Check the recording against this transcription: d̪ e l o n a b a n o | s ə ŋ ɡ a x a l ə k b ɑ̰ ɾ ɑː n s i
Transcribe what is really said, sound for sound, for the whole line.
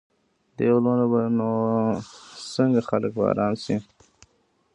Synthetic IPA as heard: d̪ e l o n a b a n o | s ə ŋ ɡ a x a l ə k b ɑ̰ ɾ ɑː n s i